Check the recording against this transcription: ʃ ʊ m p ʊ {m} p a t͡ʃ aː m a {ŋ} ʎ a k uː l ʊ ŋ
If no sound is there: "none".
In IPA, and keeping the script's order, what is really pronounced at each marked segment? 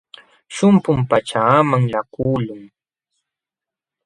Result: m, ŋ

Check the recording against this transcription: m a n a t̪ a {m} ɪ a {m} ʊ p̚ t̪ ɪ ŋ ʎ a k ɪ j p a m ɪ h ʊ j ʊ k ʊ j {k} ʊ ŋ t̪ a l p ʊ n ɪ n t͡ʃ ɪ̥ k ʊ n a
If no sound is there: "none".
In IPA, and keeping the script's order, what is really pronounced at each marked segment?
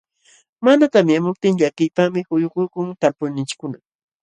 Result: m, m, k

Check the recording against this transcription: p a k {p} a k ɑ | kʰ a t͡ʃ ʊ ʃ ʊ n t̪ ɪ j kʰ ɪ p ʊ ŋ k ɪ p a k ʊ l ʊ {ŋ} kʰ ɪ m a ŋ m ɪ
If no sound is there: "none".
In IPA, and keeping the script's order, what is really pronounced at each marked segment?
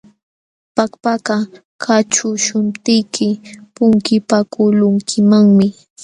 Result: p, ŋ

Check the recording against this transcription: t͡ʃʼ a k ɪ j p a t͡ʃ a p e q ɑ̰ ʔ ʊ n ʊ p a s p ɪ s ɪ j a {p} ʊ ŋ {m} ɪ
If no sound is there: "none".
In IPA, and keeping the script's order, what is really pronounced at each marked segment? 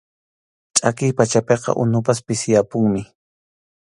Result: p, m

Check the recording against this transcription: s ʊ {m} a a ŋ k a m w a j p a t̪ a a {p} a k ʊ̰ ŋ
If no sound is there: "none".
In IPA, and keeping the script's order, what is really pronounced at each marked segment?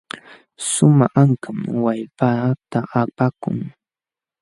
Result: m, p

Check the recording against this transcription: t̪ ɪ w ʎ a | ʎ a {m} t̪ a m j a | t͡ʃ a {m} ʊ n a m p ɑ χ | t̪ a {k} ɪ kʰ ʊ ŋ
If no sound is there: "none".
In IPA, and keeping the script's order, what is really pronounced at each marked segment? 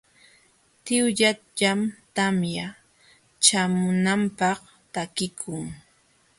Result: m, m, k

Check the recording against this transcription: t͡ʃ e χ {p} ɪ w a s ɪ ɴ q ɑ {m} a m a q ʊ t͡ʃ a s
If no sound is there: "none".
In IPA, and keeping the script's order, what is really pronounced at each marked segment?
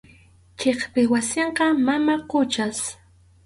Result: p, m

